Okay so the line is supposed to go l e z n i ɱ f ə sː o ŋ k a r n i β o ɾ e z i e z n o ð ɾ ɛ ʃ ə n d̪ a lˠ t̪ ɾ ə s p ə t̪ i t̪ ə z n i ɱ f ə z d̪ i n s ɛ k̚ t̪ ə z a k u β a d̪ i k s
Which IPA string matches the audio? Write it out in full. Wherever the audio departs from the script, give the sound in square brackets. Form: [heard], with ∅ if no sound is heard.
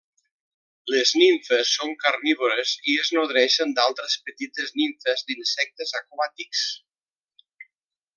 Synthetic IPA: l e z n i ɱ f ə sː o ŋ k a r n i β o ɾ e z i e z n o ð ɾ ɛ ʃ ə n d̪ a lˠ t̪ ɾ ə s p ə t̪ i t̪ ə z n i ɱ f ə z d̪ i n s ɛ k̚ t̪ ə z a k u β a [t̪] i k s